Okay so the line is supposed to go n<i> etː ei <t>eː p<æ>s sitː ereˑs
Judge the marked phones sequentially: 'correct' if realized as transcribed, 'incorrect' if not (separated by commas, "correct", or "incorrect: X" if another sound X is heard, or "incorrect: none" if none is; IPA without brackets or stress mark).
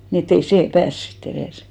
correct, incorrect: s, incorrect: æː